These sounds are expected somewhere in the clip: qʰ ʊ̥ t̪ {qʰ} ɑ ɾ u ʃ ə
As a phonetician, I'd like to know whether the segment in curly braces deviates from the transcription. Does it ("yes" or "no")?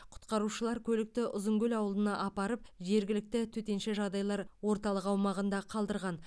yes